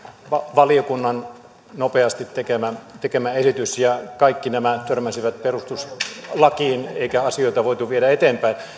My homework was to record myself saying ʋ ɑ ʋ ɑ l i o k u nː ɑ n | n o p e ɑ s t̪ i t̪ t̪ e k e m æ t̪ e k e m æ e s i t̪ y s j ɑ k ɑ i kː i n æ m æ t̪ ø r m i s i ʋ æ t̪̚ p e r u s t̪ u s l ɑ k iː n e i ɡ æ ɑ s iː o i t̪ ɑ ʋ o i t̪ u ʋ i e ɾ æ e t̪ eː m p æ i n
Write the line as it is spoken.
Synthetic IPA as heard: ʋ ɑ ʋ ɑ l i o k u nː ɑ n | n o p e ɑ s t̪ i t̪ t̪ e k e m æ t̪ e k e m æ e s i t̪ y s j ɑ k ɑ i kː i n æ m æ t̪ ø r m æ s i ʋ æ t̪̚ p e r u s t̪ u s l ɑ k iː n e i k æ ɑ s i o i t̪ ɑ ʋ o i t̪ u ʋ i e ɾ æ e t̪ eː m p æ i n